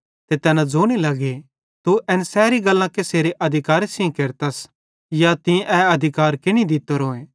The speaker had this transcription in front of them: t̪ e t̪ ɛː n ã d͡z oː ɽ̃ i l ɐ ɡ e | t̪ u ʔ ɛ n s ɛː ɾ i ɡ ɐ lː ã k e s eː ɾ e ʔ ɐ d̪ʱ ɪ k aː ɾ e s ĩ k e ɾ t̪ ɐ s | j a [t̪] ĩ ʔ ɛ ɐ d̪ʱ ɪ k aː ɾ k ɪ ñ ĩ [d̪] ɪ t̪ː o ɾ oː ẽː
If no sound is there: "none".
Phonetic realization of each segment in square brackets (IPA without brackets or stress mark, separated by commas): t̪, d̪